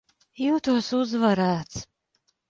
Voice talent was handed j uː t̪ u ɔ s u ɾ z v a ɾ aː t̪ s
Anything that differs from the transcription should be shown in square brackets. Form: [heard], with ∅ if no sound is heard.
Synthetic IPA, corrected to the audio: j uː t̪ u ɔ s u [∅] z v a ɾ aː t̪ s